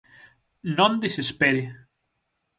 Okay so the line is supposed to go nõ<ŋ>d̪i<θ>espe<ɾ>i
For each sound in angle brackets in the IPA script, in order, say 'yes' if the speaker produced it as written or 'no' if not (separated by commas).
no, no, yes